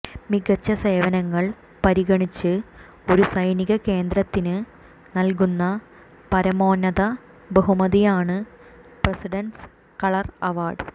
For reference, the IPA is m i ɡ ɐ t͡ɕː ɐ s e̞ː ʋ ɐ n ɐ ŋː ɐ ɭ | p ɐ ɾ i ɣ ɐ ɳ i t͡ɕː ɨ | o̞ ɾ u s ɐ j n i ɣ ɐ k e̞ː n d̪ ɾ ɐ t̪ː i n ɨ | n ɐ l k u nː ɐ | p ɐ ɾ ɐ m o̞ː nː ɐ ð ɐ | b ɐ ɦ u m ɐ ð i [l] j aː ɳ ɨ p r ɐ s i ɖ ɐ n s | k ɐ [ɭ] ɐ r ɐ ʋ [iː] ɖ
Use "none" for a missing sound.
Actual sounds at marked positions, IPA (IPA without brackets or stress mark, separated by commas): none, ɭ, aː